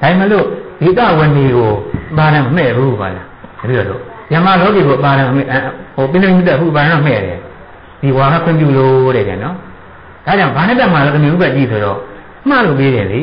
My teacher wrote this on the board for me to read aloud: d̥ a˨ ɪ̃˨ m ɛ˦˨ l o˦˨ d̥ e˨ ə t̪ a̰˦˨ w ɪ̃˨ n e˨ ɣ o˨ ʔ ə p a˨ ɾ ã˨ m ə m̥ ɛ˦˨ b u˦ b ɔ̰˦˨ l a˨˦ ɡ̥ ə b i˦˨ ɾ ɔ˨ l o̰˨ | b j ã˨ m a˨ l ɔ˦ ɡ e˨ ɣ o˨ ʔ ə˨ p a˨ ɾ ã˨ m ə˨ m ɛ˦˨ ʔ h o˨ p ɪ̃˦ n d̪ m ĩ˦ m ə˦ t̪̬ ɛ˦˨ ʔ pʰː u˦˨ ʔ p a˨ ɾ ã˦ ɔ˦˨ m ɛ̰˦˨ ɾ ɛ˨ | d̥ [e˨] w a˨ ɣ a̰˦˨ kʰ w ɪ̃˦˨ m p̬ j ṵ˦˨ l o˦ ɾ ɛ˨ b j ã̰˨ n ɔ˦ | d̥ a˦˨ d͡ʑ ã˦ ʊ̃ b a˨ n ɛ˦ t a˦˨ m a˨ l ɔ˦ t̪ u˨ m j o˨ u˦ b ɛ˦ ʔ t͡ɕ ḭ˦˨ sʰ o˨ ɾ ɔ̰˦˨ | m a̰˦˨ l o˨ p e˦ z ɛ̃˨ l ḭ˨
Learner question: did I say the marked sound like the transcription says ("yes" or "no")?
no